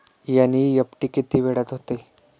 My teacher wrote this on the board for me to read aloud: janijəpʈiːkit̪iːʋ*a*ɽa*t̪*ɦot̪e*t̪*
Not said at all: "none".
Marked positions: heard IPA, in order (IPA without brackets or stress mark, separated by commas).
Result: e, t̪, none